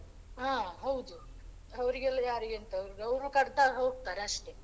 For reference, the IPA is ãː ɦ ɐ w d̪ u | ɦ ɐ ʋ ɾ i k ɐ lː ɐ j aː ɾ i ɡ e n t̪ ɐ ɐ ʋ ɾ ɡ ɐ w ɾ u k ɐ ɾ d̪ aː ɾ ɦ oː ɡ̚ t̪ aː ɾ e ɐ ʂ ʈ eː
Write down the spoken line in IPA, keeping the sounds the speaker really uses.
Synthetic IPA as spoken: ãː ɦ ɐ w d̪ u | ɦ ɐ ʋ ɾ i ɡ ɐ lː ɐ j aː ɾ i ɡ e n t̪ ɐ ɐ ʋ ɾ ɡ ɐ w ɾ u k ɐ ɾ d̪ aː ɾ ɦ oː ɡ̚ t̪ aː ɾ e ɐ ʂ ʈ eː